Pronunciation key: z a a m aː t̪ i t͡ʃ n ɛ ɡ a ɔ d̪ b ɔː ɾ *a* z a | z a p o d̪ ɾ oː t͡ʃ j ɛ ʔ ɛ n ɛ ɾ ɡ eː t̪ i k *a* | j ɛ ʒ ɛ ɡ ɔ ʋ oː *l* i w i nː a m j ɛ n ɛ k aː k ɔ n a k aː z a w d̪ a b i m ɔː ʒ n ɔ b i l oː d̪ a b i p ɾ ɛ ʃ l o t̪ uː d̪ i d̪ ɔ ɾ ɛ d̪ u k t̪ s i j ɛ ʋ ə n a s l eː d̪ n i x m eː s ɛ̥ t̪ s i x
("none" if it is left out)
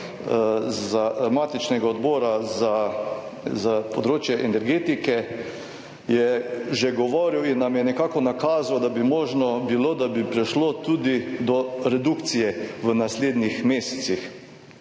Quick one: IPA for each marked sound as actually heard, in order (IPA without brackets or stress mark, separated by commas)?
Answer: a, ɛ, ɾ